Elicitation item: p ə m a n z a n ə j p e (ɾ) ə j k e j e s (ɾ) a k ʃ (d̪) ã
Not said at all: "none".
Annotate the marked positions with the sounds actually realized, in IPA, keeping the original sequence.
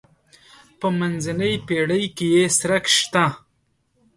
ɽ, ɾ, t̪

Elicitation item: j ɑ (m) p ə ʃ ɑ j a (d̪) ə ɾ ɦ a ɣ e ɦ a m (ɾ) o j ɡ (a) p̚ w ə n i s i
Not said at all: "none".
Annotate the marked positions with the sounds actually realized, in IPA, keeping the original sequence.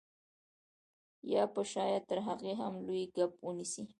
none, t̪, l, a

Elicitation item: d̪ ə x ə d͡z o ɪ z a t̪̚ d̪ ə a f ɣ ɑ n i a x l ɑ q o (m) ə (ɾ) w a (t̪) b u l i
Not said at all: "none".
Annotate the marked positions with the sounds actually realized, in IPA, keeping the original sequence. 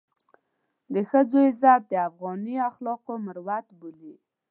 m, ɾ, t̪

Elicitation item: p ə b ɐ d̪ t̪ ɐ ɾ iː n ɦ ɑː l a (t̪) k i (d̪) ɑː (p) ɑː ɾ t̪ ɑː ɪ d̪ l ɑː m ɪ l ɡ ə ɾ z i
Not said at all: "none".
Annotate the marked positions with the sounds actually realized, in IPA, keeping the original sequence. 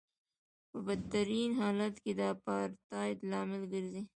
t̪, d̪, p

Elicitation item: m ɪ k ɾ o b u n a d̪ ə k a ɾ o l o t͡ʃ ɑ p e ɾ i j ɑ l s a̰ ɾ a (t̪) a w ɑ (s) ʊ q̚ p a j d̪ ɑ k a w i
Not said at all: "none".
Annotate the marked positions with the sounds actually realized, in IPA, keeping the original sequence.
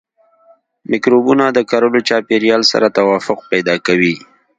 t̪, f

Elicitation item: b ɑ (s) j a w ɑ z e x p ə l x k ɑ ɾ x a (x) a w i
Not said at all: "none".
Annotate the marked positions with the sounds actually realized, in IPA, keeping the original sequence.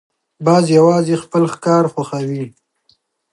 z, x

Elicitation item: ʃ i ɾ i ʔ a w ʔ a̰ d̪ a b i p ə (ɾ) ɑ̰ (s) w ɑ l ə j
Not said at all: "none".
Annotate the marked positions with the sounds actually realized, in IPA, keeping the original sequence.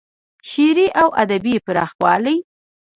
ɾ, x

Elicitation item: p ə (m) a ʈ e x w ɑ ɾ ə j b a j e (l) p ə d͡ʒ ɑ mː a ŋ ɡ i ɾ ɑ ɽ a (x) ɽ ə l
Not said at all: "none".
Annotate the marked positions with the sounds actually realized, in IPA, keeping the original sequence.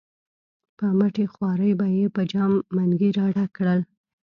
m, none, k

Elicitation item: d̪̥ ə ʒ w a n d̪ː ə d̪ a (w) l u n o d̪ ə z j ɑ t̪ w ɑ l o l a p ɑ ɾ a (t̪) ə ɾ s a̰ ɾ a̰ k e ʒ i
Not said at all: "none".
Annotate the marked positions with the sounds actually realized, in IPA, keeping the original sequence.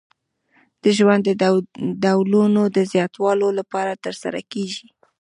w, t̪

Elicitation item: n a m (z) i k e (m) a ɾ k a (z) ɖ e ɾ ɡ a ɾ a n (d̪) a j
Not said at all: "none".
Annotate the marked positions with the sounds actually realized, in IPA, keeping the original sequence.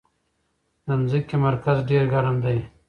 z, m, z, d̪

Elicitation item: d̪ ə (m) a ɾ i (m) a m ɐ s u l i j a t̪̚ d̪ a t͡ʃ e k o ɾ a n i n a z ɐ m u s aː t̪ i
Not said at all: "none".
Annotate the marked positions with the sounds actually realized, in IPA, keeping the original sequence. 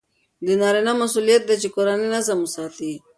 n, n

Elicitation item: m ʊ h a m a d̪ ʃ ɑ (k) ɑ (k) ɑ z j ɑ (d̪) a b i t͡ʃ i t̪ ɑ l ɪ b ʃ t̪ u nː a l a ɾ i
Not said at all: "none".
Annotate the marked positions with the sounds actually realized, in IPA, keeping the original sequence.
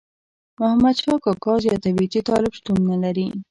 k, k, t̪

